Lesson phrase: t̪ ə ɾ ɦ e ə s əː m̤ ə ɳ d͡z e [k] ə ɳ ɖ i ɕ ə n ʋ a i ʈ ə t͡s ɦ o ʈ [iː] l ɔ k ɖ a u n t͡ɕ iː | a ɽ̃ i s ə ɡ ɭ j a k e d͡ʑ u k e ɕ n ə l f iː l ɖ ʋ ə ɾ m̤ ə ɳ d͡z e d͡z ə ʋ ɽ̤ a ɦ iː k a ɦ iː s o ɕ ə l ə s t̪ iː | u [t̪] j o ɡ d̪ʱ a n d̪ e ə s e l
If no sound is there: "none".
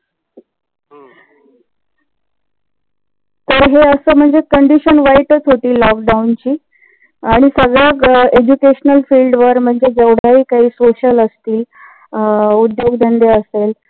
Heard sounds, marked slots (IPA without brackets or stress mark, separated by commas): k, iː, d̪